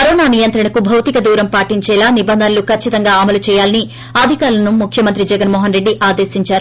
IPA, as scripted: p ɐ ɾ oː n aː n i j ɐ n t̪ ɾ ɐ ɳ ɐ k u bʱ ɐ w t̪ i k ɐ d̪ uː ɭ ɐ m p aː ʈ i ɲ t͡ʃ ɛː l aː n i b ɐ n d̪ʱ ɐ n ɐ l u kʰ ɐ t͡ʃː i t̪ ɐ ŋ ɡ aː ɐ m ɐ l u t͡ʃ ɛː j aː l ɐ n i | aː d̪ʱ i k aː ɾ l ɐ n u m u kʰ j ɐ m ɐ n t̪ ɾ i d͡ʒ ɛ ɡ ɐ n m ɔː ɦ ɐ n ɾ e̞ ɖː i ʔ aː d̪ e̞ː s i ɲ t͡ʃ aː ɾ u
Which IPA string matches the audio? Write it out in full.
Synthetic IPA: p ɐ ɾ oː n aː n i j ɐ n t̪ ɾ ɐ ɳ ɐ k u bʱ ɐ w t̪ i k ɐ d̪ uː ɾ ɐ m p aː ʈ i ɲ t͡ʃ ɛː l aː n i b ɐ n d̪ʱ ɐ n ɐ l u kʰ ɐ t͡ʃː i t̪ ɐ ŋ ɡ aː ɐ m ɐ l u t͡ʃ ɛː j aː l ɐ n i | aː d̪ʱ i k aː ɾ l ɐ n u m u kʰ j ɐ m ɐ n t̪ ɾ i d͡ʒ ɛ ɡ ɐ n m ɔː ɦ ɐ n ɾ e̞ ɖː i ʔ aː d̪ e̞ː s i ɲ t͡ʃ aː ɾ u